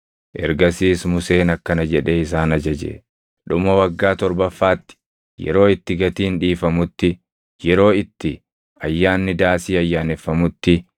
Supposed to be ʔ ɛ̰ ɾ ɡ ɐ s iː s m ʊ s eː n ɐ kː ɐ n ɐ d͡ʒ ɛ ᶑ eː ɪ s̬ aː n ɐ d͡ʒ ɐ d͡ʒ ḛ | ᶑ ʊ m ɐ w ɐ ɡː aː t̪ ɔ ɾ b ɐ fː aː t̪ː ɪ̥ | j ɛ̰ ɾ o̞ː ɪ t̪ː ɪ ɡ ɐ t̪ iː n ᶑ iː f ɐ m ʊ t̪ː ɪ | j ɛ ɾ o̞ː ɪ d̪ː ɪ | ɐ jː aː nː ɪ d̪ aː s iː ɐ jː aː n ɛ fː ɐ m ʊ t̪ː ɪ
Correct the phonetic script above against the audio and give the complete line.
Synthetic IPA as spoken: ʔ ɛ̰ ɾ ɡ ɐ s iː s m ʊ s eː n ɐ kː ɐ n ɐ d͡ʒ ɛ ᶑ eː ɪ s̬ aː n ɐ d͡ʒ ɐ d͡ʒ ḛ | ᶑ ʊ m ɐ w ɐ ɡː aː t̪ ɔ ɾ b ɐ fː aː t̪ː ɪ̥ | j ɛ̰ ɾ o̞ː ɪ t̪ː ɪ ɡ ɐ t̪ iː n ᶑ iː f ɐ m ʊ t̪ː ɪ | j ɛ ɾ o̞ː ɪ t̪ː ɪ | ɐ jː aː nː ɪ d̪ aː s iː ɐ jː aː n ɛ fː ɐ m ʊ t̪ː ɪ